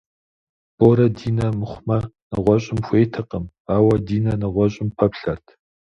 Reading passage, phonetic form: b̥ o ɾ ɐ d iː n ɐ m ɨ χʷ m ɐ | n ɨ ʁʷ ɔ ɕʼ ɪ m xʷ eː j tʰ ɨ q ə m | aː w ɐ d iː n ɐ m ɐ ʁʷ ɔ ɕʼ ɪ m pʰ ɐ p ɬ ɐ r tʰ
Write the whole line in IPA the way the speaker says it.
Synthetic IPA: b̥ o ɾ ɐ d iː n ɐ m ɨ χʷ m ɐ | n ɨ ʁʷ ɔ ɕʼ ɪ m xʷ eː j tʰ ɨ q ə m | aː w ɐ d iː n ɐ n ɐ ʁʷ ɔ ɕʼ ɪ m pʰ ɐ p ɬ ɐ r tʰ